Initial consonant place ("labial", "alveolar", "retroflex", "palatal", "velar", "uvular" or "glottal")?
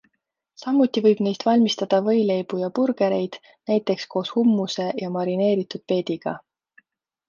alveolar